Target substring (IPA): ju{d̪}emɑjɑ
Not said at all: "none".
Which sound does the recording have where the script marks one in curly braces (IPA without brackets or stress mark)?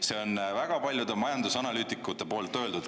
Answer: d̪